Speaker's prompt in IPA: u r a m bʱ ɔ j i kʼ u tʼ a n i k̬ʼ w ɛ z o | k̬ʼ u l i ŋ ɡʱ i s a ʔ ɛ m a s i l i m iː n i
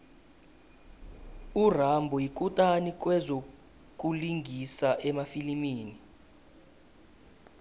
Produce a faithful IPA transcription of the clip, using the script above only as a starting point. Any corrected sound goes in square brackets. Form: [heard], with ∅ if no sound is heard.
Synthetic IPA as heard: u r a m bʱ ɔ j i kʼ u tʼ a n i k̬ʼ w ɛ z o | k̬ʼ u l i ŋ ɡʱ i s a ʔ ɛ m a [f] i l i m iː n i